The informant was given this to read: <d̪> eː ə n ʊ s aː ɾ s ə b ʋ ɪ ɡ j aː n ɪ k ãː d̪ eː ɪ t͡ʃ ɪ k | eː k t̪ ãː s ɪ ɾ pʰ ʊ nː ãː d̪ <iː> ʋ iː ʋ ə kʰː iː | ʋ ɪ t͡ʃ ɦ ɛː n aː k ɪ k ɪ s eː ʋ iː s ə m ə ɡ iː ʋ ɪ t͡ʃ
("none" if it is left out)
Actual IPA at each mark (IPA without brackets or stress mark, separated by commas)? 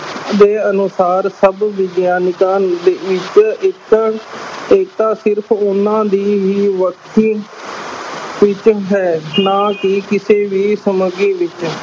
d̪, iː